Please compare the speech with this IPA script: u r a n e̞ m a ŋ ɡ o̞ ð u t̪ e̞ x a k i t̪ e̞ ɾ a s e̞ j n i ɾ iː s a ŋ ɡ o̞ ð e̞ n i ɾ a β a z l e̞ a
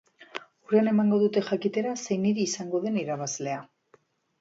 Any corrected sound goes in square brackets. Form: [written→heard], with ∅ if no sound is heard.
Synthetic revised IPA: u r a n e̞ m a ŋ ɡ o̞ ð u t̪ e̞ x a k i t̪ e̞ ɾ a s e̞ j n i ɾ iː s a ŋ ɡ o̞ ð e̞ n i ɾ a β a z l e̞ a